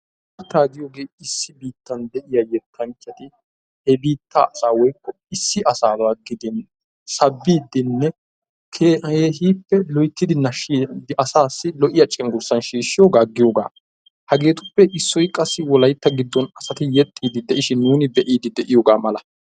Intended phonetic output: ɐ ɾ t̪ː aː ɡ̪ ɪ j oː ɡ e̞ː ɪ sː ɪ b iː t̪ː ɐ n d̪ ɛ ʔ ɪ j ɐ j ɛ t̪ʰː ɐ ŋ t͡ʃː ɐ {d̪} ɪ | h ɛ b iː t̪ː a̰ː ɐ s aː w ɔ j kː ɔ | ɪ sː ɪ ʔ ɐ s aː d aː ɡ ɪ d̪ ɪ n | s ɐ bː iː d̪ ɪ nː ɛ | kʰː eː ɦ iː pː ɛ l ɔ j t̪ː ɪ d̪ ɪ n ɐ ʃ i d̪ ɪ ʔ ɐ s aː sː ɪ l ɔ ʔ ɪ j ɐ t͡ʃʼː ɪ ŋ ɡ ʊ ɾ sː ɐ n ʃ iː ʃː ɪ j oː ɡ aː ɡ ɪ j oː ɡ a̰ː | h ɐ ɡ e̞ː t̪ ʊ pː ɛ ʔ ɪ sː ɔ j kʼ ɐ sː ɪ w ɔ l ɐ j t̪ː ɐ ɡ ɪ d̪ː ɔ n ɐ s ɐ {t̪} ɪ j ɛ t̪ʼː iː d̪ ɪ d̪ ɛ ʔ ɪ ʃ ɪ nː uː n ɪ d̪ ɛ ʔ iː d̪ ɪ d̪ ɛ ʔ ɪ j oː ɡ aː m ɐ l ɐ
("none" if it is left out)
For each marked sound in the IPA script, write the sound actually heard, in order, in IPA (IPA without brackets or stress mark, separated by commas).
t̪, t̪